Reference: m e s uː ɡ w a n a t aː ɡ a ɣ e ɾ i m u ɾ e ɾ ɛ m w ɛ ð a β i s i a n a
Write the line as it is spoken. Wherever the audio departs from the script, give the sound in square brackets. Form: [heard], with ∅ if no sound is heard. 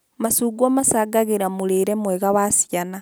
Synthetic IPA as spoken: m [a] s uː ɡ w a [m] a [s] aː ɡ a ɣ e ɾ [a] m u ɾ e ɾ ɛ m w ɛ [ɣ] a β [a] s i a n a